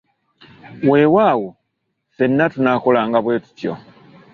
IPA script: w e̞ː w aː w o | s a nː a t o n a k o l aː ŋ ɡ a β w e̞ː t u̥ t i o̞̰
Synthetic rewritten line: w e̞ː w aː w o | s e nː a t u n a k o l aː ŋ ɡ a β w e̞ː t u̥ t j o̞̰